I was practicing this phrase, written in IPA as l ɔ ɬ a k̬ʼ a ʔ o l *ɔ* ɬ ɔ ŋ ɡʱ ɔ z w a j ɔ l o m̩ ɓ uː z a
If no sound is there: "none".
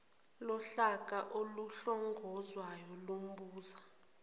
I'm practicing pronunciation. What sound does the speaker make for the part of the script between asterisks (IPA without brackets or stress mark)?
u